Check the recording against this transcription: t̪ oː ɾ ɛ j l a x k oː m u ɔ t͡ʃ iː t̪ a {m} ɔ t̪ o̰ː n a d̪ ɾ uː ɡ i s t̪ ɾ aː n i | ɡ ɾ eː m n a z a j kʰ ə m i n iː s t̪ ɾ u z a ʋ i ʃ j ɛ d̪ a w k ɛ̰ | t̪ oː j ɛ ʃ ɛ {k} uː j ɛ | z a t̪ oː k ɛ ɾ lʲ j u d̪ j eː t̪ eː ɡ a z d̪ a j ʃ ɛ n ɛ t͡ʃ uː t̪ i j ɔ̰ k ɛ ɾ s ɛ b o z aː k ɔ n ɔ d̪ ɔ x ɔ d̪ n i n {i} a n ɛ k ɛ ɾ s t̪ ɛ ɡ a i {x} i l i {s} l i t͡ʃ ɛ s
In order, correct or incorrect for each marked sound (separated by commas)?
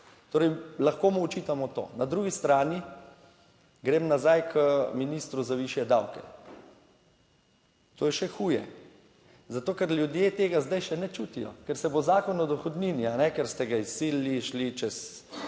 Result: correct, incorrect, correct, incorrect, incorrect